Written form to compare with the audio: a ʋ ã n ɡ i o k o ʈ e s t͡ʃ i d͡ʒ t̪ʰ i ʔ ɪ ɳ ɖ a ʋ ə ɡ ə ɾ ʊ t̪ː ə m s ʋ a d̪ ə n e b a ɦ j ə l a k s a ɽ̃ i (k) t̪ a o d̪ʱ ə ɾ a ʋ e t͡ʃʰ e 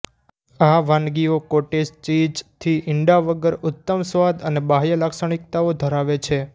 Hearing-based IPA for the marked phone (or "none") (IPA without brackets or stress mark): k